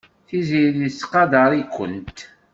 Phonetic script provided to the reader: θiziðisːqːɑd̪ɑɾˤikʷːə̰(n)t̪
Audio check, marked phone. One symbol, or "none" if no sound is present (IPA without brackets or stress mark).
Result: n